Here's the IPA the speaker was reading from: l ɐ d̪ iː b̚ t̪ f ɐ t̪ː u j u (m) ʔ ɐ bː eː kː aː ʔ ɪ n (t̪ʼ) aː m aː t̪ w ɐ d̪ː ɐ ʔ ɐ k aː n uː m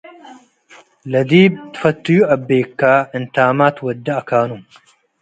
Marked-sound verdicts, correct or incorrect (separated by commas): incorrect, incorrect